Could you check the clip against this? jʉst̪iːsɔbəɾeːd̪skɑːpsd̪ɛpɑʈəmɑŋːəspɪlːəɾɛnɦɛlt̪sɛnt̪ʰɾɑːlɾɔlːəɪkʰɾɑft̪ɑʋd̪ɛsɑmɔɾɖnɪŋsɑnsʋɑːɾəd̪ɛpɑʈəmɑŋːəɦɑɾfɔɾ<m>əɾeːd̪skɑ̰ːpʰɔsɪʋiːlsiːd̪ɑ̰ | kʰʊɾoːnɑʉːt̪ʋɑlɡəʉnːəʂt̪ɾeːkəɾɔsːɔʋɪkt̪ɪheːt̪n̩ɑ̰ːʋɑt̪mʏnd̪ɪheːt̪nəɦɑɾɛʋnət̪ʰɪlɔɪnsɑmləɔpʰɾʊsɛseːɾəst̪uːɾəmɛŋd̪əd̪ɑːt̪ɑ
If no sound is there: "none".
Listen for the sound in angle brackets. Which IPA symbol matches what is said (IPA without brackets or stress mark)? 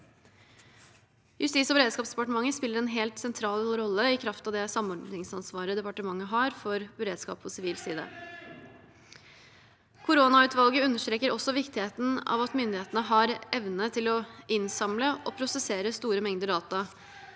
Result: b